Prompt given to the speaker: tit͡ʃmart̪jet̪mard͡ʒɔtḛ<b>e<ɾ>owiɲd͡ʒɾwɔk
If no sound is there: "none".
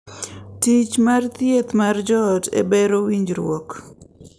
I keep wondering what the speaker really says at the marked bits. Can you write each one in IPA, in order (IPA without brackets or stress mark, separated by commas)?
b, ɾ